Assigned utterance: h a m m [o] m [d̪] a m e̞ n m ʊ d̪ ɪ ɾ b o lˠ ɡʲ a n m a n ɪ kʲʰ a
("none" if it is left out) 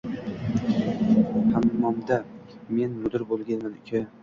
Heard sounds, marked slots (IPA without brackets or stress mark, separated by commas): ɒ, d̪